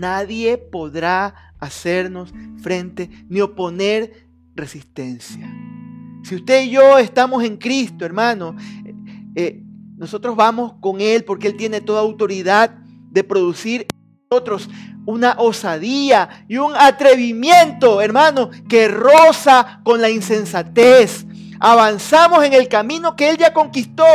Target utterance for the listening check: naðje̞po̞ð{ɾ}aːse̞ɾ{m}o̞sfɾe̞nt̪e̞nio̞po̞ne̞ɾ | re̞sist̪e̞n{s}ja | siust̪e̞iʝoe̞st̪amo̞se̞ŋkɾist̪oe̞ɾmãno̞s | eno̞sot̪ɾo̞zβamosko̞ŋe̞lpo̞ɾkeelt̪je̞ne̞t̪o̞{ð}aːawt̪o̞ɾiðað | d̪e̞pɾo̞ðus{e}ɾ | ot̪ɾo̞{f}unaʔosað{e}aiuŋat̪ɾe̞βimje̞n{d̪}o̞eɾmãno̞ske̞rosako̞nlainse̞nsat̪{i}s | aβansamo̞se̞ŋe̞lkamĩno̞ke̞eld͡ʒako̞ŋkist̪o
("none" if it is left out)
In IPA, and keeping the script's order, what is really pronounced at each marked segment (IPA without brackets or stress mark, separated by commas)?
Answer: ɾ, n, s, ð, i, s, i, t̪, e